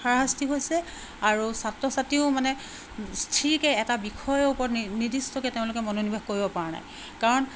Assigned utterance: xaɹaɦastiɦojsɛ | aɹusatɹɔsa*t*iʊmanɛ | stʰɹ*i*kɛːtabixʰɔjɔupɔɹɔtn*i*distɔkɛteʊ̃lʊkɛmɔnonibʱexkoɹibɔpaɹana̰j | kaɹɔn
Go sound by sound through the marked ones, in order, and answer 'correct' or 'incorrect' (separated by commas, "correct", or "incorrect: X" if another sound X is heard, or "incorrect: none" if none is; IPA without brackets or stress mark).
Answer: correct, correct, correct